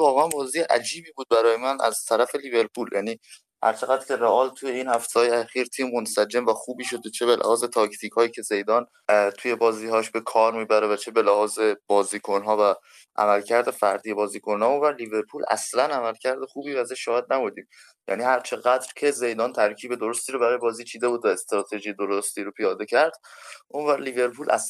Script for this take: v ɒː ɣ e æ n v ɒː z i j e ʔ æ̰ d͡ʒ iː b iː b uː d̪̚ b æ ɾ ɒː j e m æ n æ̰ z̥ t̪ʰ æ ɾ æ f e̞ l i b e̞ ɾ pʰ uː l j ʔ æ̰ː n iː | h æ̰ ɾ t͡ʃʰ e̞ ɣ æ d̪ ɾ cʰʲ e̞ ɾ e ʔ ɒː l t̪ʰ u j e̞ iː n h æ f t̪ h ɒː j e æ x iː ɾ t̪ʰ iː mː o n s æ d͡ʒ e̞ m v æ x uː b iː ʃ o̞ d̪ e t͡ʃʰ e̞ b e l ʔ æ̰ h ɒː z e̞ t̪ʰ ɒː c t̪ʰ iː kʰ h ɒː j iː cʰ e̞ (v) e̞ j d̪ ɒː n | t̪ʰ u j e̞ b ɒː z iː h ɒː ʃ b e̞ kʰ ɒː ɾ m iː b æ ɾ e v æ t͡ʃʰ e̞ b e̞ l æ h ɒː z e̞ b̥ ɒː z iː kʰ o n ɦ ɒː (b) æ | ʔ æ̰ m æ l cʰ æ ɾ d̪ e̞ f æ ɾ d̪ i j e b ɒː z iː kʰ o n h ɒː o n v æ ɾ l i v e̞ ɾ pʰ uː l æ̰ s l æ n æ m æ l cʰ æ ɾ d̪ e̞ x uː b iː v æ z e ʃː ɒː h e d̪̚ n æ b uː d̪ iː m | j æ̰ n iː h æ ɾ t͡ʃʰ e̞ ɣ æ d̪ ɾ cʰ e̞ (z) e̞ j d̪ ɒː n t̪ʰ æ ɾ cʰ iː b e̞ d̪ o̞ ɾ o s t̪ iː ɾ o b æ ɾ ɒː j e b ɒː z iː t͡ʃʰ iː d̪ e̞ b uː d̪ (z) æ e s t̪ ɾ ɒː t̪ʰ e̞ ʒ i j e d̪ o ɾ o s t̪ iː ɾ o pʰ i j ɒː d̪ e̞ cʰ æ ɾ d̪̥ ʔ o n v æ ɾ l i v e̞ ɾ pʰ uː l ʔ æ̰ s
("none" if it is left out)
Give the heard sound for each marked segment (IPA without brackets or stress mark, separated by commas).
z, v, z, v